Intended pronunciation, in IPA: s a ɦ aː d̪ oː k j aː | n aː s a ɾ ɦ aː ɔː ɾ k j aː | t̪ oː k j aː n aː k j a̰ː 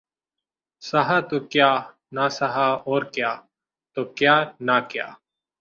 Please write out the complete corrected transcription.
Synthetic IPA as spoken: s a ɦ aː t̪ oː k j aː | n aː s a ɦ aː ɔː ɾ k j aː | t̪ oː k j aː n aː k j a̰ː